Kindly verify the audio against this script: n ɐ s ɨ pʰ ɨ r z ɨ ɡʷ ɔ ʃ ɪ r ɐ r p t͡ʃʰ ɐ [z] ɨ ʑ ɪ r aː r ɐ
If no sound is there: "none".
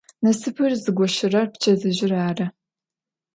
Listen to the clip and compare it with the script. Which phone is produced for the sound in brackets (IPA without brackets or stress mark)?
z